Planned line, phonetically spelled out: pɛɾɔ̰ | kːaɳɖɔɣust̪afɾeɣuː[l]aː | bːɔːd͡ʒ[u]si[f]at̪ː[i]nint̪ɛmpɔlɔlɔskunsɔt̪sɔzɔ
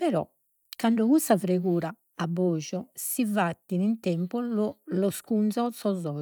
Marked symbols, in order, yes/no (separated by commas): no, no, no, yes